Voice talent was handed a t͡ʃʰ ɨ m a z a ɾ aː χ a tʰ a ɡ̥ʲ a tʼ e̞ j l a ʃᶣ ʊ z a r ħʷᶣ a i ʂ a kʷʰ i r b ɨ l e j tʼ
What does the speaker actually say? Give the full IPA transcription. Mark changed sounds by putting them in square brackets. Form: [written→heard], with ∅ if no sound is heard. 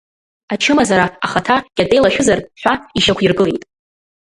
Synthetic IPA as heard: a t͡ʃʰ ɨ m a z a ɾ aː χ a tʰ a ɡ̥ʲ a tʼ e̞ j l a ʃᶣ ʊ z a r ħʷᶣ a i [ʂ→ʃ] a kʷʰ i r [b→ɡ] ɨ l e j tʼ